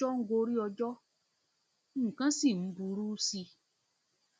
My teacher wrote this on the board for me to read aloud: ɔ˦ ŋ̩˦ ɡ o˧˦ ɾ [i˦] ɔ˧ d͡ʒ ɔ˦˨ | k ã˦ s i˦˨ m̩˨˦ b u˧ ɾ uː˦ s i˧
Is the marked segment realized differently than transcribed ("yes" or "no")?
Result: no